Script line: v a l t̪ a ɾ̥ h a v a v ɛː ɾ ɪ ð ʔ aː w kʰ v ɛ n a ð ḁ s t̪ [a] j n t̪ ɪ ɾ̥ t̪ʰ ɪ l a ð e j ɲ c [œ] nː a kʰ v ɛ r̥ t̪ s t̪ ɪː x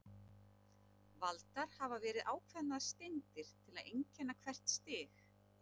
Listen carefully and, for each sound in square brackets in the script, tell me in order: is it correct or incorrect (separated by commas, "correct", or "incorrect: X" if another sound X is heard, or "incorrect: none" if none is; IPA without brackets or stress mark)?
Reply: incorrect: e, incorrect: ɛ